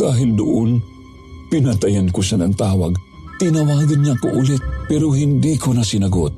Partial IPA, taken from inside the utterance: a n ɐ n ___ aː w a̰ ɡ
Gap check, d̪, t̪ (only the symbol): t̪